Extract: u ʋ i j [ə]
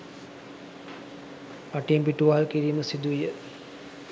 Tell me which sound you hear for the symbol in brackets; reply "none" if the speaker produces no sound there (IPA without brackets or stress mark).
ə